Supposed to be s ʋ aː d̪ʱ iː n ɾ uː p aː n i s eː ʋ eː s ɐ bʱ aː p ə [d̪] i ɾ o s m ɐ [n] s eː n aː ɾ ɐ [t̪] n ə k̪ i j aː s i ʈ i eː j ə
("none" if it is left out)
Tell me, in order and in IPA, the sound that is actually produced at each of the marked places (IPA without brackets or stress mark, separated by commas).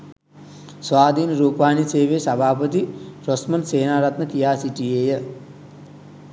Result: t̪, n, t̪